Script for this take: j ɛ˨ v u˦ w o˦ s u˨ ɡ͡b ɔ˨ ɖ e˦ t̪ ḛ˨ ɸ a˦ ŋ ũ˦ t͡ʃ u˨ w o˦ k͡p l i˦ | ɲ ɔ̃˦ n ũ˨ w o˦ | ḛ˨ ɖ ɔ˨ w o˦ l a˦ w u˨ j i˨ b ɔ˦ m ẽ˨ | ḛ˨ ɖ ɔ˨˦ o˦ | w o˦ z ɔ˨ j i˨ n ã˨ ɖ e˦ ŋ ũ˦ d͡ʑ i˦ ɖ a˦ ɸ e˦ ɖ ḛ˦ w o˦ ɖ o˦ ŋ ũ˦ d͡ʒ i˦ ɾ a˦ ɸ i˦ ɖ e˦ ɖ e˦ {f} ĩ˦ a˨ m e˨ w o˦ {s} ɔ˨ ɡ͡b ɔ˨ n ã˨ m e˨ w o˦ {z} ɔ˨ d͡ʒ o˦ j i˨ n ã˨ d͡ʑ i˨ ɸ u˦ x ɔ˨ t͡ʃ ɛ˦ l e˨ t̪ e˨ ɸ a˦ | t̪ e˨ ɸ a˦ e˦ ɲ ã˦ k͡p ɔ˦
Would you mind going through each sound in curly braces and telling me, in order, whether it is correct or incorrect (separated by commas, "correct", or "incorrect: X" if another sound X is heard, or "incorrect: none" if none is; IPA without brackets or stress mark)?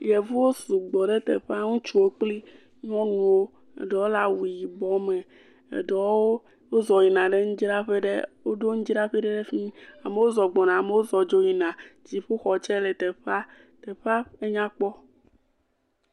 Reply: correct, incorrect: z, correct